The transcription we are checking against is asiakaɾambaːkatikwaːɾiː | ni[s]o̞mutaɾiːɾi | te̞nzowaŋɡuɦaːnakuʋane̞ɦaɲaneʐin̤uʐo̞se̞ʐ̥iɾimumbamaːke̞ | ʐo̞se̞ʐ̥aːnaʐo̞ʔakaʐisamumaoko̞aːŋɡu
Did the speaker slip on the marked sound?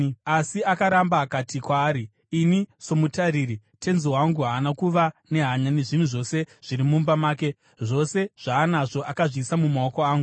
no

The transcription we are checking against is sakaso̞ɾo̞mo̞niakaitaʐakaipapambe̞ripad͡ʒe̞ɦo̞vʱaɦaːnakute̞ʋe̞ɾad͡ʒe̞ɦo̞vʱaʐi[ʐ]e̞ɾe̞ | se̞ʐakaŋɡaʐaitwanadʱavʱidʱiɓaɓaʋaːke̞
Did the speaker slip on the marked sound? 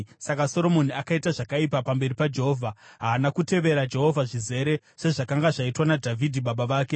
yes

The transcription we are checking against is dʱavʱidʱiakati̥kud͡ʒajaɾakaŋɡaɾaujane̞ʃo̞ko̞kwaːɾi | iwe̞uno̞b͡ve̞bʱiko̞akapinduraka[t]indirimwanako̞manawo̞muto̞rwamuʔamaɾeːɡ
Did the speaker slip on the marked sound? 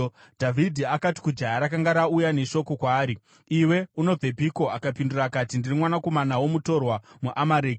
no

